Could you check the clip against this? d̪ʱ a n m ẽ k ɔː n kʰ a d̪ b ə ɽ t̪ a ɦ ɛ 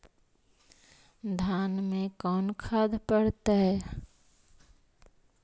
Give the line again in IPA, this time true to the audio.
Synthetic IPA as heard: d̪ʱ a n m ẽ k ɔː n kʰ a d̪ p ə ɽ t̪ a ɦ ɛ